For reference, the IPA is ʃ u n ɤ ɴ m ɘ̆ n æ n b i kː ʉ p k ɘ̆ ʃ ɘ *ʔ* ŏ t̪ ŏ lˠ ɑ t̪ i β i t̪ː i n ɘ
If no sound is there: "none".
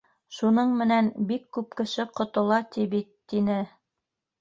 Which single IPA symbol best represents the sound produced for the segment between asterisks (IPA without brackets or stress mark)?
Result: q